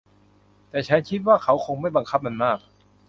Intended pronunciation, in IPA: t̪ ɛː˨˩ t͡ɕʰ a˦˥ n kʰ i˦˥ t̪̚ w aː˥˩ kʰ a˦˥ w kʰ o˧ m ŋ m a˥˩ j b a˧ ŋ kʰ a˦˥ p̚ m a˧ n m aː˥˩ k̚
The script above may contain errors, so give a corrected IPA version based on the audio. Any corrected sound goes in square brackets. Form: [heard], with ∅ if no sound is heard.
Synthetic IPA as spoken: t̪ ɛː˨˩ t͡ɕʰ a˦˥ n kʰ i˦˥ t̪̚ w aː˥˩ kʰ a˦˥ w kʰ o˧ [∅] ŋ m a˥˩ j b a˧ ŋ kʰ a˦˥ p̚ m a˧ n m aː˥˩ k̚